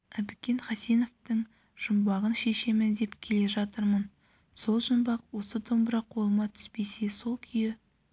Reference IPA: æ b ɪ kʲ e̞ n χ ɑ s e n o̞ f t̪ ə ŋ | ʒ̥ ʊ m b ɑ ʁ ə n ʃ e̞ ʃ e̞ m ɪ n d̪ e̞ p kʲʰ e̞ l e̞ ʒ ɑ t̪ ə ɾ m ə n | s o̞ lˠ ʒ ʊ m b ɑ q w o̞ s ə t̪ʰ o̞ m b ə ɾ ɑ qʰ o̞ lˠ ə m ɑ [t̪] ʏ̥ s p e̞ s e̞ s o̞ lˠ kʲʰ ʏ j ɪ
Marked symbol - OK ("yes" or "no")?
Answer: no